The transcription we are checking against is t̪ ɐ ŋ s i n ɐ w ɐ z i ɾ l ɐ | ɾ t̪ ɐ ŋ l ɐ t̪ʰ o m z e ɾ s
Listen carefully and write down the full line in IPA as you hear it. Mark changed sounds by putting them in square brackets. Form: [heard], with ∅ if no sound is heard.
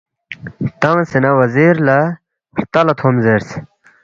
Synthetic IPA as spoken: t̪ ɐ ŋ s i n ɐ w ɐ z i ɾ l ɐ | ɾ t̪ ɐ [∅] l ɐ t̪ʰ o m z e ɾ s